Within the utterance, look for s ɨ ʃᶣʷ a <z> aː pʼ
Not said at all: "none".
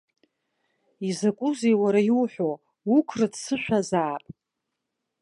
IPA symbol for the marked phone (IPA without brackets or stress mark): z